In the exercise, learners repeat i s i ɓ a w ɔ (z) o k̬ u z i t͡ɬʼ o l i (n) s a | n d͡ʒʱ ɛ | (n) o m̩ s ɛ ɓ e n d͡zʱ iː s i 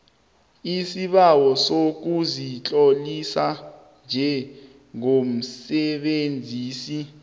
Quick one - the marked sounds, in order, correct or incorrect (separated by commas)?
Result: incorrect, incorrect, incorrect